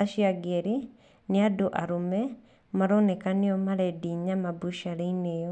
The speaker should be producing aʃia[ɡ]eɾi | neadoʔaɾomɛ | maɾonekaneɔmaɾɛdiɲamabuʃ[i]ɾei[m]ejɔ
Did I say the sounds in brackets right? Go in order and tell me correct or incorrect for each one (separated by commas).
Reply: correct, incorrect, incorrect